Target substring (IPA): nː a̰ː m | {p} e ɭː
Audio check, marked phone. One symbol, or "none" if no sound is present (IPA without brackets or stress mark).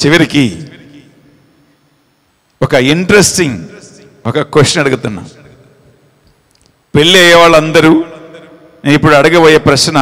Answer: p